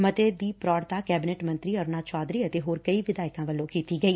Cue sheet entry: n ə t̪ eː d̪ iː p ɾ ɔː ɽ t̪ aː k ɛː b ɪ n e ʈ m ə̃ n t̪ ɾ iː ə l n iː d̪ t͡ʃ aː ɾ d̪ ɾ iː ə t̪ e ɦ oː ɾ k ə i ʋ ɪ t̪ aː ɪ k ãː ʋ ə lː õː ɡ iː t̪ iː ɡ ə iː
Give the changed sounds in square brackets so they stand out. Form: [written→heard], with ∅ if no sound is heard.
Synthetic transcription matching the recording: [n→m] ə t̪ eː d̪ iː p ɾ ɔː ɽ t̪ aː k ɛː b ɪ n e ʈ m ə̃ n t̪ ɾ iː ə [l→ɾ] n [iː→aː] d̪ t͡ʃ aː [ɾ→∅] d̪ ɾ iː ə t̪ e ɦ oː ɾ k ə i ʋ ɪ [t̪→d̪] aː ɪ k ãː ʋ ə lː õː [ɡ→k] iː t̪ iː ɡ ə iː

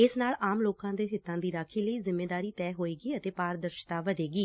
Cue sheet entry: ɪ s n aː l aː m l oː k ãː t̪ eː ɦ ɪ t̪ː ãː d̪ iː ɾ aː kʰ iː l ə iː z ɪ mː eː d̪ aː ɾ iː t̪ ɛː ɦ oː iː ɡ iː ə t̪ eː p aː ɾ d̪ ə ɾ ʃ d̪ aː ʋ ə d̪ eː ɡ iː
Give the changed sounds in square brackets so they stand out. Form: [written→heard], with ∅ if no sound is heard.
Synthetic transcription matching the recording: ɪ s n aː l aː m l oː k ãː [t̪→d̪] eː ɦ ɪ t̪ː ãː d̪ iː ɾ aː kʰ iː l ə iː z ɪ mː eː d̪ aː ɾ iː t̪ ɛː ɦ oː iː ɡ iː ə t̪ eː p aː ɾ d̪ ə ɾ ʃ [d̪→t̪] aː ʋ ə d̪ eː ɡ iː

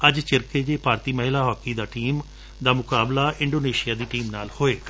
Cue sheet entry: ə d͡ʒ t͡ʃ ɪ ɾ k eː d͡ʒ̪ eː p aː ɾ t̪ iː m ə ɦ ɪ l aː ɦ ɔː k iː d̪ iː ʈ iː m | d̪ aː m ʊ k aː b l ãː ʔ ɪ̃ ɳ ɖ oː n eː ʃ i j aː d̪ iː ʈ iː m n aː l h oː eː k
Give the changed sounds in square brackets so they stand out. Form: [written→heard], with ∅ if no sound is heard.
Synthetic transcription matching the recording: ə d͡ʒ t͡ʃ ɪ ɾ k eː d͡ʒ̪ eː p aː ɾ t̪ iː m ə ɦ ɪ l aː ɦ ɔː k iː d̪ [iː→aː] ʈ iː m | d̪ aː m ʊ k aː b l [ãː→aː] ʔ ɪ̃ ɳ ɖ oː n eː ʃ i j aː d̪ iː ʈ iː m n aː l h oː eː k

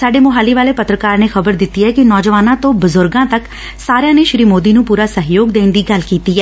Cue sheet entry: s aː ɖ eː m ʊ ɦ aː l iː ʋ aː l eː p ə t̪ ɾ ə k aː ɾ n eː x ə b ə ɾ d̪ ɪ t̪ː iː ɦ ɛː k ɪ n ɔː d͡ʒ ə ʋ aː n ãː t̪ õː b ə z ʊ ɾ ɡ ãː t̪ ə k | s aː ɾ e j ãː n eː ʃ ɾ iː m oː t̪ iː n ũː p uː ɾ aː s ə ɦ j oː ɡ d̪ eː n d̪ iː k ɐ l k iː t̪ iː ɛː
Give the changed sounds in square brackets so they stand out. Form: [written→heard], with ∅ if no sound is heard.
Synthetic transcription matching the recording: s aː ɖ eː m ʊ ɦ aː l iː ʋ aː l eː p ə t̪ ɾ ə k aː ɾ n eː x ə b ə ɾ d̪ ɪ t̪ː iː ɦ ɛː k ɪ n ɔː d͡ʒ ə ʋ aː n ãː t̪ õː b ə z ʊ ɾ ɡ ãː t̪ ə k | s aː ɾ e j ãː n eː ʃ ɾ iː m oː [t̪→d̪] iː n ũː p uː ɾ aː s ə ɦ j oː ɡ d̪ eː n d̪ iː [k→ɡ] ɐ l k iː t̪ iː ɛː

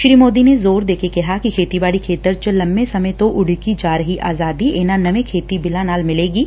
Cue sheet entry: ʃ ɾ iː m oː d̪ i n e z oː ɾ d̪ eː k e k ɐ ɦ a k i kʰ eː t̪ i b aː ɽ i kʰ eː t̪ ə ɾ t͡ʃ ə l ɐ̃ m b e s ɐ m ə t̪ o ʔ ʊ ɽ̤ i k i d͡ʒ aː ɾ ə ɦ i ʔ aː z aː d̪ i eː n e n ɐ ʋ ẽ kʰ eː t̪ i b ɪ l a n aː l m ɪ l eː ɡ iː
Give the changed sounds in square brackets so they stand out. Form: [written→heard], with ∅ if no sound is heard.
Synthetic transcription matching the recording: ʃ ɾ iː m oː d̪ i n e z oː ɾ d̪ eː k e k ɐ ɦ a k i kʰ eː t̪ i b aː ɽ i kʰ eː t̪ ə ɾ t͡ʃ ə l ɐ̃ m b e s ɐ m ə t̪ o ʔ ʊ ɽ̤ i k i d͡ʒ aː ɾ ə ɦ i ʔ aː z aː d̪ i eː n [e→a] n ɐ ʋ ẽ kʰ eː t̪ i b ɪ l a n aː l m ɪ l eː ɡ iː

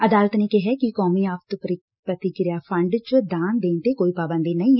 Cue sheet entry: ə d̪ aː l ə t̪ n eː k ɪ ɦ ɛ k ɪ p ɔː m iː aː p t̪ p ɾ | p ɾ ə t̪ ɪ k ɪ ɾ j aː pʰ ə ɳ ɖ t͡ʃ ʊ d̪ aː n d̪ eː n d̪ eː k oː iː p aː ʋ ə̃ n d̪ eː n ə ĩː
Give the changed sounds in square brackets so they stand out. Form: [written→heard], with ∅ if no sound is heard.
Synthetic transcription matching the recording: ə d̪ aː l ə t̪ n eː k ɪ ɦ ɛ k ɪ [p→k] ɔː m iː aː p t̪ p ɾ | p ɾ ə t̪ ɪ k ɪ ɾ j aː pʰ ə ɳ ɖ t͡ʃ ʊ d̪ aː n d̪ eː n [d̪→t̪] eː k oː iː p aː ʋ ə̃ n d̪ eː n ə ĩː

